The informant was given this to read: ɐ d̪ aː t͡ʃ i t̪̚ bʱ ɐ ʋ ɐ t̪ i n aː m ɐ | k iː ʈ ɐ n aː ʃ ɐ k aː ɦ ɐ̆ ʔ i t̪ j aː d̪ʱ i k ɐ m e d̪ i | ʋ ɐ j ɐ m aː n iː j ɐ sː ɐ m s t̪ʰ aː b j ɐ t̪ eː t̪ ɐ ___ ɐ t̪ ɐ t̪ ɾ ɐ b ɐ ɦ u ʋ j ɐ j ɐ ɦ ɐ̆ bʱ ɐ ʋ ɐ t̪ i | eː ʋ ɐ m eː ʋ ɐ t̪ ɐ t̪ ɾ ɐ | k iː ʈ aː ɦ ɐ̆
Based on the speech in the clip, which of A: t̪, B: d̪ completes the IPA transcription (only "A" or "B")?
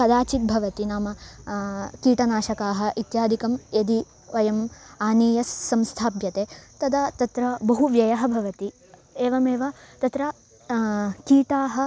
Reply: B